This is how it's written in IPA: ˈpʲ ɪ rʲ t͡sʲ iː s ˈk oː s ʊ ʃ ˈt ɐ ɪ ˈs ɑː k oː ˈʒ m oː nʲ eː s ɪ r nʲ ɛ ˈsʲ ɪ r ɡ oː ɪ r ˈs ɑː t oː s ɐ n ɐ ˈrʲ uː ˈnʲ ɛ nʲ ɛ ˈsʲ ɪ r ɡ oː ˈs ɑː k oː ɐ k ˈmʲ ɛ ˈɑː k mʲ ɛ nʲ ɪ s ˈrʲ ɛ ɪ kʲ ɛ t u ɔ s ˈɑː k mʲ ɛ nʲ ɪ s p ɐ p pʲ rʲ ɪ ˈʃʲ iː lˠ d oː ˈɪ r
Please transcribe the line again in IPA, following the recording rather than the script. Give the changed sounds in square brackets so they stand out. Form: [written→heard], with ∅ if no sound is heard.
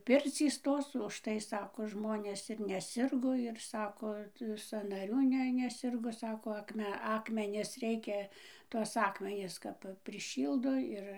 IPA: ˈpʲ ɪ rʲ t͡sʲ iː s [ˈk→ˈt] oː s ʊ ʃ ˈt ɐ ɪ ˈs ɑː k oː ˈʒ m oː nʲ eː s ɪ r nʲ ɛ ˈsʲ ɪ r ɡ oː ɪ r ˈs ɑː [t→k] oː s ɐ n ɐ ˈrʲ uː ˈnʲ ɛ nʲ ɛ ˈsʲ ɪ r ɡ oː ˈs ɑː k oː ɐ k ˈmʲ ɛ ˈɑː k mʲ ɛ nʲ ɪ s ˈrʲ ɛ ɪ kʲ ɛ t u ɔ s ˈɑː k mʲ ɛ nʲ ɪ s [p→k] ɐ p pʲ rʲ ɪ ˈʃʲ iː lˠ d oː ˈɪ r